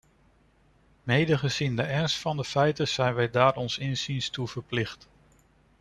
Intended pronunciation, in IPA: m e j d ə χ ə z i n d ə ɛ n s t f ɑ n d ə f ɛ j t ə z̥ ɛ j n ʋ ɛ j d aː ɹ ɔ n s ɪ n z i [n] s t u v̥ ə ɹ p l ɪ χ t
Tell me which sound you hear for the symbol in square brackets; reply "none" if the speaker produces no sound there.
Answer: n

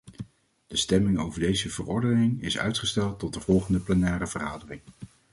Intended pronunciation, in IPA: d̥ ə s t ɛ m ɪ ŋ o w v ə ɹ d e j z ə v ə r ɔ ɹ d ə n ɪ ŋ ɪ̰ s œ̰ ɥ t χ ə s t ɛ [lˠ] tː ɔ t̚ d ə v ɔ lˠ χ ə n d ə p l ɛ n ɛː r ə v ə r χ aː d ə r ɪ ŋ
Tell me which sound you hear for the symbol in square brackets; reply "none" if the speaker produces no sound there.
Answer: lˠ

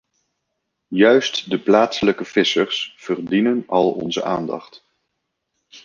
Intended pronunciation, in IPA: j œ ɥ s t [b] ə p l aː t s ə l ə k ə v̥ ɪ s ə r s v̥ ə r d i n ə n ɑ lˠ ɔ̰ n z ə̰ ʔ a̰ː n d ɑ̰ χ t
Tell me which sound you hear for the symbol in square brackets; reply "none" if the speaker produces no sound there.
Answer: d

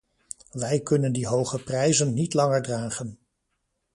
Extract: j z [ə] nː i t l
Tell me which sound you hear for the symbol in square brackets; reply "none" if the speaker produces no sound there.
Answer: ə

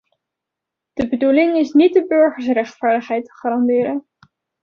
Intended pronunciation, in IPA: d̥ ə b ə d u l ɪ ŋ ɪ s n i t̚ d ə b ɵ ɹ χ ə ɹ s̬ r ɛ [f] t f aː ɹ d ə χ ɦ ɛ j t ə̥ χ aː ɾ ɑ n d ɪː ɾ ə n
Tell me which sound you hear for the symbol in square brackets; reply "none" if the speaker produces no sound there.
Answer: χ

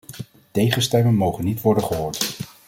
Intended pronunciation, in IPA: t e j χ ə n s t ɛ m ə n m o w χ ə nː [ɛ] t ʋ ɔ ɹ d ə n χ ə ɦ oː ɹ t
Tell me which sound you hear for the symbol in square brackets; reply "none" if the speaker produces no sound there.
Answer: i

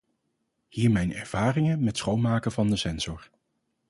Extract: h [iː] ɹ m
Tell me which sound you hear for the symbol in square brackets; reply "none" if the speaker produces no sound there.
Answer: iː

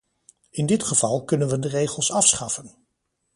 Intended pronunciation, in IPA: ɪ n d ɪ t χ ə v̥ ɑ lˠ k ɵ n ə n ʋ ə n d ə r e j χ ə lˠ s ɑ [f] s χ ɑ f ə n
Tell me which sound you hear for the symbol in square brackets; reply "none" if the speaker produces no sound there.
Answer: f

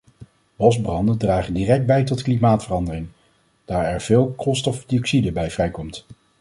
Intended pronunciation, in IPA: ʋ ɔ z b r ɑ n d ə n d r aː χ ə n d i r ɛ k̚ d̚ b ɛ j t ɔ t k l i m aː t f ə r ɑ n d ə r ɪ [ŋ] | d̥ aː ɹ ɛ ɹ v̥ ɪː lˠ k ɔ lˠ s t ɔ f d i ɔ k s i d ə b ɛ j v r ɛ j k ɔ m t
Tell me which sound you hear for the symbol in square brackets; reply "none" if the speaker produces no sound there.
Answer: ŋ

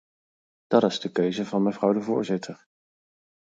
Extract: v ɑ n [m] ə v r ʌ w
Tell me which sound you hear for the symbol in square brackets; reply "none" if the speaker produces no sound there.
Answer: m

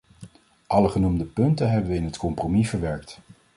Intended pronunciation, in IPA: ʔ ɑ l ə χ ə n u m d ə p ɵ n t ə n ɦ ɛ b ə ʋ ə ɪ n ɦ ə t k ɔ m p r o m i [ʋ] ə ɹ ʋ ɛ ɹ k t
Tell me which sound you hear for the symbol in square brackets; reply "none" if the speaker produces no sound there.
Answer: v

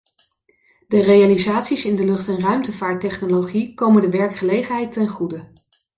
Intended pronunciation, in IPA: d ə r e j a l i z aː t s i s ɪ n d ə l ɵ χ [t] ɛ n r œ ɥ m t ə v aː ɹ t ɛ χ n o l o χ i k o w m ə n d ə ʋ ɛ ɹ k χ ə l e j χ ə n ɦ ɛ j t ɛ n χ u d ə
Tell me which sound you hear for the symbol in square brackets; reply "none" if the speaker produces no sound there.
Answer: t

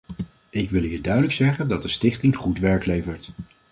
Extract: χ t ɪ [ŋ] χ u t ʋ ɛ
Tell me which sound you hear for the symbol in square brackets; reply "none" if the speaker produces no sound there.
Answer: ŋ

